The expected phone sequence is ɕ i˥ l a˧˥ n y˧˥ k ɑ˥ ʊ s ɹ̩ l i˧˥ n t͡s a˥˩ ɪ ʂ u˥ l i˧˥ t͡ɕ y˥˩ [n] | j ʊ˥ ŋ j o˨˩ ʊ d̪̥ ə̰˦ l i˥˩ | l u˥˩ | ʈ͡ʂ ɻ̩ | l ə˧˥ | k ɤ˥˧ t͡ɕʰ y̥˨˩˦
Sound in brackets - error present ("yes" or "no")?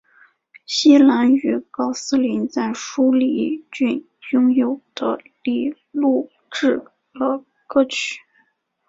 no